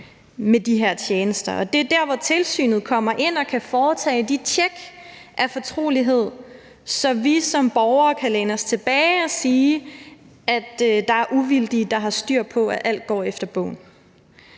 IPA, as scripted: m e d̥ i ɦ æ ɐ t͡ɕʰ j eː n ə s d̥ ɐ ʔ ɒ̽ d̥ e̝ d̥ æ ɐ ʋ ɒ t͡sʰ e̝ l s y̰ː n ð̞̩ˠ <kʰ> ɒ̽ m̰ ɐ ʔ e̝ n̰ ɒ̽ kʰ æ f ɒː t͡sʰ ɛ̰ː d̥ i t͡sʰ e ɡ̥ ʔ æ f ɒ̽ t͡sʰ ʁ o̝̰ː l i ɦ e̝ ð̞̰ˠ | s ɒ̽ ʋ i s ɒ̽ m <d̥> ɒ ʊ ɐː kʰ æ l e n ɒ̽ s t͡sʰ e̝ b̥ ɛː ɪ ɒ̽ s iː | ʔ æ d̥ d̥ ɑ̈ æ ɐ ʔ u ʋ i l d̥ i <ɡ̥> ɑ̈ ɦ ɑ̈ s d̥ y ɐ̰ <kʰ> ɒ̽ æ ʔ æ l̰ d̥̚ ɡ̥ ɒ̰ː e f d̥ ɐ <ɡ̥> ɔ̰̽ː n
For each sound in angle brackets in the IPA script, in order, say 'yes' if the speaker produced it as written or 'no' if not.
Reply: yes, no, no, no, no

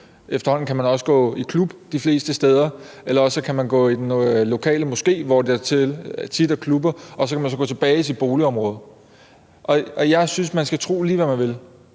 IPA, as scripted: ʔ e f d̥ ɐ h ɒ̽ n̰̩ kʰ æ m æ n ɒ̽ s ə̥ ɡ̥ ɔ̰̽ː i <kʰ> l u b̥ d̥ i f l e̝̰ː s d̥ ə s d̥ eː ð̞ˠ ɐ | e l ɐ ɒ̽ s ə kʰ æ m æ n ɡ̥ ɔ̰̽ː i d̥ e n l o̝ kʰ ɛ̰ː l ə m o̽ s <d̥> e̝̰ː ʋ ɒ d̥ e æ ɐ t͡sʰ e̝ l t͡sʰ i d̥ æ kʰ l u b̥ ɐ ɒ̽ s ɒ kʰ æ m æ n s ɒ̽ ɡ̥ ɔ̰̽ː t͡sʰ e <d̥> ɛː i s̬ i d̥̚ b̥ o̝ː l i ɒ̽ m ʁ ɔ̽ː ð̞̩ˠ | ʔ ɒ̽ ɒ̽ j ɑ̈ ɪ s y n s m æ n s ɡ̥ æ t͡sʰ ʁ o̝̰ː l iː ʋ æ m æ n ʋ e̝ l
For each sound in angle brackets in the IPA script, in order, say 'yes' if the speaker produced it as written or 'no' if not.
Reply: yes, no, no

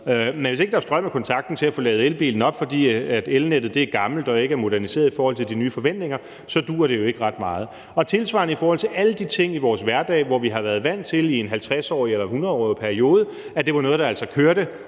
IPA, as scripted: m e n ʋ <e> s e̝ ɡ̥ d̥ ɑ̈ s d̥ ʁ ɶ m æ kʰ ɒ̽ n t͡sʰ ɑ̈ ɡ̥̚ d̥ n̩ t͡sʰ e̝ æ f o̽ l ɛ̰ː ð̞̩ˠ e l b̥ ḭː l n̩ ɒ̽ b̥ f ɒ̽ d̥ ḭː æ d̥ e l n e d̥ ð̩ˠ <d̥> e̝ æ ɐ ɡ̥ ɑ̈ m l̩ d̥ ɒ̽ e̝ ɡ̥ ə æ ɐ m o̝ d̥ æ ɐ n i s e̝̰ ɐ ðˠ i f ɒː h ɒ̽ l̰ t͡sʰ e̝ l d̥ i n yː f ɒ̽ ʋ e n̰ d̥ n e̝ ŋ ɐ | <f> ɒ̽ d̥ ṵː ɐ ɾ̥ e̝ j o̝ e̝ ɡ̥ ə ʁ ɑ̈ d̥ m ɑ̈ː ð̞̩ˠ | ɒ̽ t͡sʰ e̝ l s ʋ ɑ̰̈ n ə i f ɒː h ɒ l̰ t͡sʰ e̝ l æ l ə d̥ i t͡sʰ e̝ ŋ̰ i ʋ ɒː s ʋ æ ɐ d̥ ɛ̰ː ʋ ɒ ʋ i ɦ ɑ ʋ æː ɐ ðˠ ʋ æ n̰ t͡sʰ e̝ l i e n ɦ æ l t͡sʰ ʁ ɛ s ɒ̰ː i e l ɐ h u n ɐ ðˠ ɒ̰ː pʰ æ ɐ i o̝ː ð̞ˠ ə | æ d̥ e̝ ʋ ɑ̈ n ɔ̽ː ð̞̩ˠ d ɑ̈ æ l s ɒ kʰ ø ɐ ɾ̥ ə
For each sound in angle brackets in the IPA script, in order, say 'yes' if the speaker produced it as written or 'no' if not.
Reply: yes, yes, no

